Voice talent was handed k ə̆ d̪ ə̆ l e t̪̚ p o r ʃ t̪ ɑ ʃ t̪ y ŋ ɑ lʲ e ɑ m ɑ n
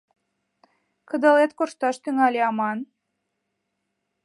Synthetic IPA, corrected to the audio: k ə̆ d̪ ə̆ l e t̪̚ k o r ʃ t̪ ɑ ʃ t̪ y ŋ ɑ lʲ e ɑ m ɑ n